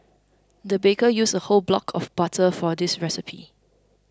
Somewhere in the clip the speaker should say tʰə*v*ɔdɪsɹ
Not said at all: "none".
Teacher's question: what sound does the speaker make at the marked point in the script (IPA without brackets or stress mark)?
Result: f